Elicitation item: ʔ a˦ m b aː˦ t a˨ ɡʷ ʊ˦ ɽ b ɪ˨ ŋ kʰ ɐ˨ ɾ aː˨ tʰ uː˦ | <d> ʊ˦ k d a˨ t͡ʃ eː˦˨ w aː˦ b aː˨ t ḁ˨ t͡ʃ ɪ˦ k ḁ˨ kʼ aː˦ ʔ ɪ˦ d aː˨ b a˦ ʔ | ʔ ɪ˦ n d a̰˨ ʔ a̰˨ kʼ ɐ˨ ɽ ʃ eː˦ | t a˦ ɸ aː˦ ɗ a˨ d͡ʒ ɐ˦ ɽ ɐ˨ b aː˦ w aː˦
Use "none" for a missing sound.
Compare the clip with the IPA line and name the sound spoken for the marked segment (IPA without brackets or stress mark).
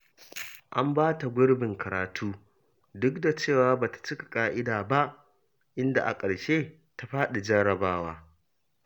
d